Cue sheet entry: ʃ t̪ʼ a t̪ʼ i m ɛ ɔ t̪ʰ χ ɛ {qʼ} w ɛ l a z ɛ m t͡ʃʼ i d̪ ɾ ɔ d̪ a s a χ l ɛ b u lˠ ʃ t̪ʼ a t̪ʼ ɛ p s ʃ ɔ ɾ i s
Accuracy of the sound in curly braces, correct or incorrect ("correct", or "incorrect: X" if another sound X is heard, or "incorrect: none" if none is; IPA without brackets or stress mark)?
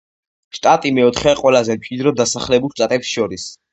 correct